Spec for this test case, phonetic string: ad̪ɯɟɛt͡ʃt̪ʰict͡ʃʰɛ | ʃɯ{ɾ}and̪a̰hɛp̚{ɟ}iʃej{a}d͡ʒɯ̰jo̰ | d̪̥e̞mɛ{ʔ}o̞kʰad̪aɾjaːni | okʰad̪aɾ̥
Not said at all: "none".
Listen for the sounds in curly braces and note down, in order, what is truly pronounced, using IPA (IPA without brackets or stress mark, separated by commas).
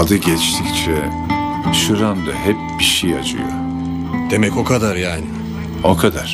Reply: ɾ, b, a, c